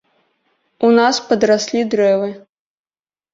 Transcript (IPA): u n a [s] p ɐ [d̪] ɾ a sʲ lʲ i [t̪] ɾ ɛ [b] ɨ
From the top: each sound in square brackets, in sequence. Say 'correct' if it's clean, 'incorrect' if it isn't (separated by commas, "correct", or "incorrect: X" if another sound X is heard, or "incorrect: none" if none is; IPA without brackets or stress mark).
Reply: correct, correct, incorrect: d̪, incorrect: v